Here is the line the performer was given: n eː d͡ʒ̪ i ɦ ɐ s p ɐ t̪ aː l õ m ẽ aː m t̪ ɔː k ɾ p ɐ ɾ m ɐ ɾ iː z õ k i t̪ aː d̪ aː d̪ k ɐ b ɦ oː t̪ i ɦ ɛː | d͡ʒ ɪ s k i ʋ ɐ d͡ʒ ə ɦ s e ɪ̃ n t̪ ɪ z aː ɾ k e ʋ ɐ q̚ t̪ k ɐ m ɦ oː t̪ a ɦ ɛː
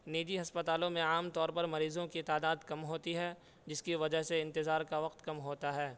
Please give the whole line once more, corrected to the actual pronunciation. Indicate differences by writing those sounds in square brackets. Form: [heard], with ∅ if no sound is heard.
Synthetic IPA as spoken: n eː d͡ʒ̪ i ɦ ɐ s p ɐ t̪ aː l õ m ẽ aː m t̪ ɔː [∅] ɾ p ɐ ɾ m ɐ ɾ iː z õ k i t̪ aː d̪ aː d̪ k ɐ [m] ɦ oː t̪ i ɦ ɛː | d͡ʒ ɪ s k i ʋ ɐ d͡ʒ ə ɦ s e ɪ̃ n t̪ ɪ z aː ɾ k [a] ʋ ɐ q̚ t̪ k ɐ m ɦ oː t̪ a ɦ ɛː